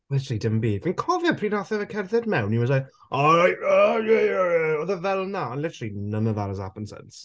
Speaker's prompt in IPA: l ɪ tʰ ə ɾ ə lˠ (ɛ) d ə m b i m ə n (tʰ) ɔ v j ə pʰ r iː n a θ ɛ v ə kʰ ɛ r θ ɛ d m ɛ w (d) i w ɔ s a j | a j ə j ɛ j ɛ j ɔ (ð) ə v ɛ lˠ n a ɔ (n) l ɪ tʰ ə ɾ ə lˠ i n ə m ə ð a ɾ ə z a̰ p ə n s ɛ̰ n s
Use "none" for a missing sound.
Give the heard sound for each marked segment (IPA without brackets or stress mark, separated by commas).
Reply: i, kʰ, n, ð, n